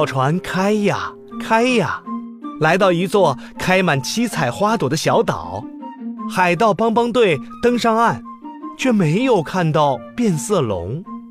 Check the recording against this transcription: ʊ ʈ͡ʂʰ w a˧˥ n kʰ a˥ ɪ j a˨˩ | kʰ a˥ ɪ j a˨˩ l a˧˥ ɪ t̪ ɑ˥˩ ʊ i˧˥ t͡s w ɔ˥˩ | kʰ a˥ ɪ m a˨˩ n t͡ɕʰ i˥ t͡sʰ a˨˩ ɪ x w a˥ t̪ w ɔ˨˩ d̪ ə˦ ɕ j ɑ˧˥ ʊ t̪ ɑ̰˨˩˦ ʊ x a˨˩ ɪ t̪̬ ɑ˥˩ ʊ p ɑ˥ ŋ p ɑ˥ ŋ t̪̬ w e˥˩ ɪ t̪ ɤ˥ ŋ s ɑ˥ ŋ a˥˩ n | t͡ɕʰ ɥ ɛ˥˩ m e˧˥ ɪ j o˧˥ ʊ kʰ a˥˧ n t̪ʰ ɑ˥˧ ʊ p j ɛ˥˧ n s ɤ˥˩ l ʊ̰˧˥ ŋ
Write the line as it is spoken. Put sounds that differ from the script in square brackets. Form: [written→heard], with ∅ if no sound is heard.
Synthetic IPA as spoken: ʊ ʈ͡ʂʰ w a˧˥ n kʰ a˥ ɪ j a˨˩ | kʰ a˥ ɪ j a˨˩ l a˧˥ ɪ t̪ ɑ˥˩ ʊ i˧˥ t͡s w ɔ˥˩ | kʰ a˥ ɪ m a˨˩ n t͡ɕʰ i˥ t͡sʰ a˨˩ ɪ x w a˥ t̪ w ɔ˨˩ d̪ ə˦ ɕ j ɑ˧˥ ʊ t̪ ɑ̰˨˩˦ ʊ x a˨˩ ɪ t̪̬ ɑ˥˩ ʊ p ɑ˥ ŋ p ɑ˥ ŋ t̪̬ w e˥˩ ɪ t̪ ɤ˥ ŋ [s→ʂ] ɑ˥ ŋ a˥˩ n | t͡ɕʰ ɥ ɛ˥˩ m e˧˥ ɪ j [o˧˥→o˨˩] ʊ kʰ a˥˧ n [t̪ʰ→t̪] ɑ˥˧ ʊ p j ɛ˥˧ n s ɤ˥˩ l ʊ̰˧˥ ŋ